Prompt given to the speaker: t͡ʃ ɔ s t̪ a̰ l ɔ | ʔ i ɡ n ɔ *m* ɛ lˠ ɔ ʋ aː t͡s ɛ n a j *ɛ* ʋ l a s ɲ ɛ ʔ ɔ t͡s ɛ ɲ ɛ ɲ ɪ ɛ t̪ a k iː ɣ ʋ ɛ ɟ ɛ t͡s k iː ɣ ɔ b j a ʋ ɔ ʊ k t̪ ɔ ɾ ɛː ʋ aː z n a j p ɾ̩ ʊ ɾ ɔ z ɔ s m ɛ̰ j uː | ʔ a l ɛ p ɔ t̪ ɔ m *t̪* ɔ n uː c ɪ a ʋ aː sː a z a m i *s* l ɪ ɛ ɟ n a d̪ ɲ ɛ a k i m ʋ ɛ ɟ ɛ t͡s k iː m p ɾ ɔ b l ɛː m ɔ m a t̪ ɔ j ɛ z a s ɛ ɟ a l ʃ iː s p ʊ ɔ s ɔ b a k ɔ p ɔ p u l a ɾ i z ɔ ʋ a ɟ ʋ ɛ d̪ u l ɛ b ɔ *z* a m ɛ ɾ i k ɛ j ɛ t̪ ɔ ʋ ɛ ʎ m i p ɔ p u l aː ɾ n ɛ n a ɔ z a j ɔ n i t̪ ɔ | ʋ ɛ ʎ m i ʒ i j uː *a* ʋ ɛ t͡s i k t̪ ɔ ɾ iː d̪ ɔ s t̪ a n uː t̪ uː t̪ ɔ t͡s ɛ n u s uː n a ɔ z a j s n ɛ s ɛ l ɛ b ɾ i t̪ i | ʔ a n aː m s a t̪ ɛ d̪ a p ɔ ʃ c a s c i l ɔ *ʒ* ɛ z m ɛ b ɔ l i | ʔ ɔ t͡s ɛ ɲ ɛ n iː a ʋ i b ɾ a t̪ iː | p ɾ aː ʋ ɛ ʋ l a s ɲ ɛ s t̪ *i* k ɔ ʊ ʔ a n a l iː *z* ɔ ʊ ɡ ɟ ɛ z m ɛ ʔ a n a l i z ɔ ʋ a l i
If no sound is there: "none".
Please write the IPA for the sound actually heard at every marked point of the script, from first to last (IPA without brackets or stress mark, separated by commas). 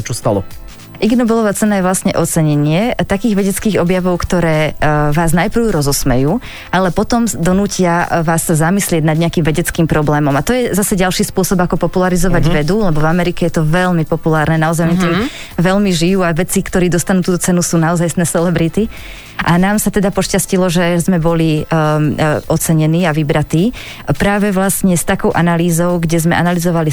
b, ɛ, d̪, s, v, a, ʒ, a, z